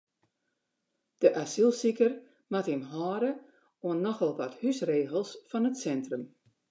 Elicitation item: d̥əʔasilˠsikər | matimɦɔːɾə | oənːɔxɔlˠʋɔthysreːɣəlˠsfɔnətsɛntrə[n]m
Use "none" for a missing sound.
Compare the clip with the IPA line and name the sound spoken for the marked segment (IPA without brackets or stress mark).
none